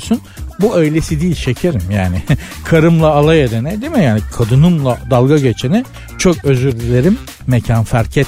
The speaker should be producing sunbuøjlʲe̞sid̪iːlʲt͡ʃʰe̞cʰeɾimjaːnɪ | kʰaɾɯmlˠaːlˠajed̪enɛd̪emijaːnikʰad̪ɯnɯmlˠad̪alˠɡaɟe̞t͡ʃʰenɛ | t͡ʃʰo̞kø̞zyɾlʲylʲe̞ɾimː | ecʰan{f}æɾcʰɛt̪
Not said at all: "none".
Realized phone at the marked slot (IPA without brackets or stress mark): f